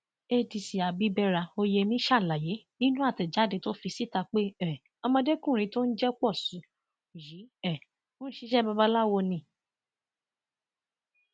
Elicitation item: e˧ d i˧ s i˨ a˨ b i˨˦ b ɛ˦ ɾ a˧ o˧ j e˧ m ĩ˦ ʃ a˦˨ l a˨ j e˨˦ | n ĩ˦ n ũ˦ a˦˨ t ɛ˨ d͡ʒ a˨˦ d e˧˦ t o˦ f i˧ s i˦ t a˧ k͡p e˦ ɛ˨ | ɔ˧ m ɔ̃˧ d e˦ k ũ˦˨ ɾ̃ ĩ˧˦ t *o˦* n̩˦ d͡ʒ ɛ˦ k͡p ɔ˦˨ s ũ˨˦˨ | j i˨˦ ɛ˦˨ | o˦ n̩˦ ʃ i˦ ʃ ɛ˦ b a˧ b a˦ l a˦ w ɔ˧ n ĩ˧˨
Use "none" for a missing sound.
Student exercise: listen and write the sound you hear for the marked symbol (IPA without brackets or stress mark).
o˦